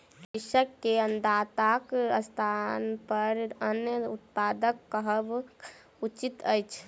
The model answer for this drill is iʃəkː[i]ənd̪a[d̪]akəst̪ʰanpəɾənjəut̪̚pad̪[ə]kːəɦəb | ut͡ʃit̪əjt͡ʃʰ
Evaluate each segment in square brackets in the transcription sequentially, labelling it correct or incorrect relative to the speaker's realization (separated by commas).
incorrect, incorrect, correct